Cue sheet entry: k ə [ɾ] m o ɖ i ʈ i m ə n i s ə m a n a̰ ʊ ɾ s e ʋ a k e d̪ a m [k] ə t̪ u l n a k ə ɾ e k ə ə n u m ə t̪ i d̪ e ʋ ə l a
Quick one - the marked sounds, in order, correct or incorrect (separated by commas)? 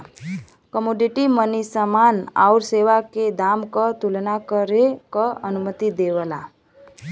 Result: incorrect, correct